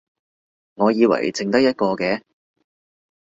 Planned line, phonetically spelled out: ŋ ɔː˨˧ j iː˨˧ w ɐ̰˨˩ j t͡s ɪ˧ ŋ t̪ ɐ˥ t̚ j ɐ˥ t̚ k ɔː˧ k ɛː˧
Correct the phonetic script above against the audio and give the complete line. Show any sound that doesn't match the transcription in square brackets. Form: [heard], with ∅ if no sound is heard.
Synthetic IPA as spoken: ŋ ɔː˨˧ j iː˨˧ w ɐ̰˨˩ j t͡s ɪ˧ ŋ t̪ ɐ˥ [k̚] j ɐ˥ t̚ k ɔː˧ k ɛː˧